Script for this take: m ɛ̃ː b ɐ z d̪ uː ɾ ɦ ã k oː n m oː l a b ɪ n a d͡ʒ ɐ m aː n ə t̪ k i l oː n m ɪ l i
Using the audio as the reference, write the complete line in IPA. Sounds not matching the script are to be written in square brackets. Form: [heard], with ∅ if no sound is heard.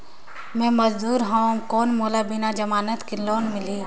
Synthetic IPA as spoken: m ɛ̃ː [m] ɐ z d̪ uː ɾ ɦ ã k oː n m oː l a b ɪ n a d͡ʒ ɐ m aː n ə t̪ k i l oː n m ɪ l i